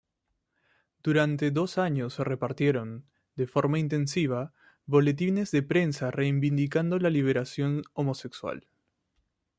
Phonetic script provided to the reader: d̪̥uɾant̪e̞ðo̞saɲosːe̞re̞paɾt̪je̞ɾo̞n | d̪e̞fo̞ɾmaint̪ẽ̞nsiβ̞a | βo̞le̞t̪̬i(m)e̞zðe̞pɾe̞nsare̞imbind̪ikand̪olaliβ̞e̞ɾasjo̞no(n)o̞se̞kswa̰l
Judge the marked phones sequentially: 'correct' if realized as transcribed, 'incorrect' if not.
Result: incorrect: n, incorrect: m

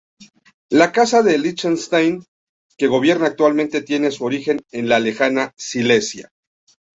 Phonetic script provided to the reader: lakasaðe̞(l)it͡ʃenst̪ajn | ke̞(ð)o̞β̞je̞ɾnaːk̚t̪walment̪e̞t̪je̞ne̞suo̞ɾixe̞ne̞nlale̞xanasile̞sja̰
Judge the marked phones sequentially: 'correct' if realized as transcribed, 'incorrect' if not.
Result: correct, incorrect: ɣ

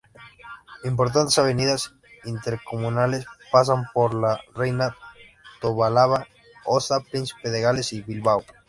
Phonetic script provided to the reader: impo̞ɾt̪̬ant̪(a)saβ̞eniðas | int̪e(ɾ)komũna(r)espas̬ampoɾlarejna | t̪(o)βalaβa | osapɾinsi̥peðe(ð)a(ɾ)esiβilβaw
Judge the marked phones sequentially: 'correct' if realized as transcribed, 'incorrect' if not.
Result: incorrect: e, correct, incorrect: l, correct, incorrect: ɣ, incorrect: l

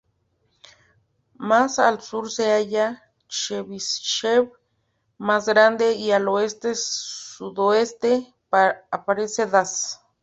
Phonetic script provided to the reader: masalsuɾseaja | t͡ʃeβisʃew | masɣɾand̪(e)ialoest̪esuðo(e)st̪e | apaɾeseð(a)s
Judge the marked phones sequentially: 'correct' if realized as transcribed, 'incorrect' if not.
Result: correct, correct, correct

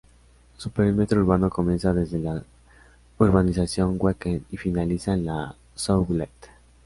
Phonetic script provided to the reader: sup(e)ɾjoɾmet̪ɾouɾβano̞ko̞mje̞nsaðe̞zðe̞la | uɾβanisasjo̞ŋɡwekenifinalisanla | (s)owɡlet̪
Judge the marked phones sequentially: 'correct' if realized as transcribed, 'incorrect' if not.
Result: correct, correct

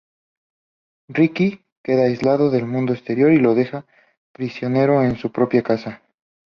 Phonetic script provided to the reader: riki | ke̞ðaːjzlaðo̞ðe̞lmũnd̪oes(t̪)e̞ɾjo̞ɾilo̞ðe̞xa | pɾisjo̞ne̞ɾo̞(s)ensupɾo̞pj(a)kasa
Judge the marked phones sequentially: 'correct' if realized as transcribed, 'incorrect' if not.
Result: correct, incorrect: none, correct

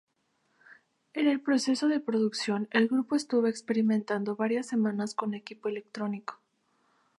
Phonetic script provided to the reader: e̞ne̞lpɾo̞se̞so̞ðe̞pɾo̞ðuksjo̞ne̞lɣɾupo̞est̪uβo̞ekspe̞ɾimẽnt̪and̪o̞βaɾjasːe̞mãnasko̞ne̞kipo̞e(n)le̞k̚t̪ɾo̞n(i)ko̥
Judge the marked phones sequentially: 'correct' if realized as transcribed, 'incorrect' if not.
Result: incorrect: none, correct

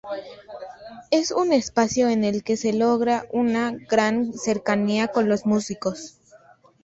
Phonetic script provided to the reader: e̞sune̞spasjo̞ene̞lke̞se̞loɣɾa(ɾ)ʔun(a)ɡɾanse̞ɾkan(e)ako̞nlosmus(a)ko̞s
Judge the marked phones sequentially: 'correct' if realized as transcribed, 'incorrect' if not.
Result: incorrect: none, correct, incorrect: i, incorrect: i

